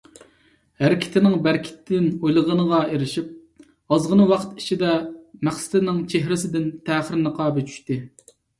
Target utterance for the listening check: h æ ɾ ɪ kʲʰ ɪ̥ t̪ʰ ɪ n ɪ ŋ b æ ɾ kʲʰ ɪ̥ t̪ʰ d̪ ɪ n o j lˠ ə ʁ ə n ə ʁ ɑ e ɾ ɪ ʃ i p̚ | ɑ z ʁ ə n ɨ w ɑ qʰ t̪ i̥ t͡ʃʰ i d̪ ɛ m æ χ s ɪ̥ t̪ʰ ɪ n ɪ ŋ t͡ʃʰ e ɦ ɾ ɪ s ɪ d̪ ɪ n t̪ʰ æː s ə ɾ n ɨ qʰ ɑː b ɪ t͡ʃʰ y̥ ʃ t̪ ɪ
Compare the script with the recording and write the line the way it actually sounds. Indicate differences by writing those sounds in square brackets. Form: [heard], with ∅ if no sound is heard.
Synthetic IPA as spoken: h æ ɾ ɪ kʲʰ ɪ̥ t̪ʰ ɪ n ɪ ŋ b æ ɾ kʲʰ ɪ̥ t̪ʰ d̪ ɪ n o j lˠ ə ʁ ə n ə ʁ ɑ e ɾ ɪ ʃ i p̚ | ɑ z ʁ ə n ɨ w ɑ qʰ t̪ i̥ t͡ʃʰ i d̪ ɛ m æ χ s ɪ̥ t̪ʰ ɪ n ɪ ŋ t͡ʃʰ e ɦ ɾ ɪ s ɪ d̪ ɪ n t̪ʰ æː [χ] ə ɾ n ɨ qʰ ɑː b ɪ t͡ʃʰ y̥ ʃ t̪ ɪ